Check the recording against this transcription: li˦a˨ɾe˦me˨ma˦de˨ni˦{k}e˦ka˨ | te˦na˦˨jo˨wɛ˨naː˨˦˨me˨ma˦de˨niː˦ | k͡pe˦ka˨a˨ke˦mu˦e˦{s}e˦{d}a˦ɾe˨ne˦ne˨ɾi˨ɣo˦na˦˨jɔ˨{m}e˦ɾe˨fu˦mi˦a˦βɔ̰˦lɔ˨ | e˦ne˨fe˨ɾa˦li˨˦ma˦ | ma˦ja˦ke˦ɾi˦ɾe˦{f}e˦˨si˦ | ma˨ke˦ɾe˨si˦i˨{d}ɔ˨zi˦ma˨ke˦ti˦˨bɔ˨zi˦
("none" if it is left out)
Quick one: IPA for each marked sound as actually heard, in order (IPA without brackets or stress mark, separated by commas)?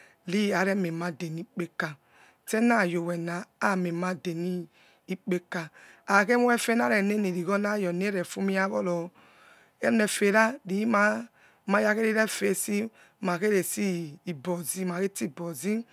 k͡p, f, n, n, f, b